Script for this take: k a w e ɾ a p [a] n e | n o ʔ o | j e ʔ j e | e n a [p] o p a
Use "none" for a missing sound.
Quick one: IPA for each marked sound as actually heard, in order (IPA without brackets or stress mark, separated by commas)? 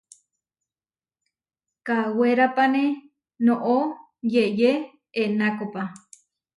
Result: a, k